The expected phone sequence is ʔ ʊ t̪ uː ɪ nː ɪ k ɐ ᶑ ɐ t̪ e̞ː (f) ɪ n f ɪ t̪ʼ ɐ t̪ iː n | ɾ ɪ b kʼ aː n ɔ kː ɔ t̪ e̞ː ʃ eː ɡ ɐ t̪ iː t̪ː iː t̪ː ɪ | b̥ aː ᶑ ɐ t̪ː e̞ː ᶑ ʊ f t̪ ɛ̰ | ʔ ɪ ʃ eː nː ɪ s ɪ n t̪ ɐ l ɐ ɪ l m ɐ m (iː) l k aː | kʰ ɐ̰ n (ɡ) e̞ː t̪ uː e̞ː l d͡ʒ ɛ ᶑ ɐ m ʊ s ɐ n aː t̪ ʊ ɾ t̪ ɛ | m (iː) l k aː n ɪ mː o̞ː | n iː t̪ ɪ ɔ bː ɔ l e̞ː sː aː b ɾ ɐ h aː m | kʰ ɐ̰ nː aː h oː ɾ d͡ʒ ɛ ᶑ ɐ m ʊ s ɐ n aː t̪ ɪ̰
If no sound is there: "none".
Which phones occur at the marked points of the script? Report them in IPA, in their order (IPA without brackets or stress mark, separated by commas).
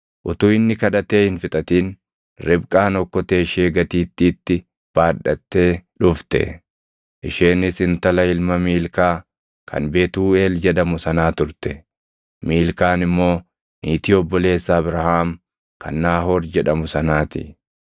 h, iː, b, iː